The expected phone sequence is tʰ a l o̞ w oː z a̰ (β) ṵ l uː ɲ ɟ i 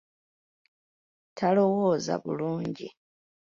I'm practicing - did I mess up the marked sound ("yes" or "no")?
no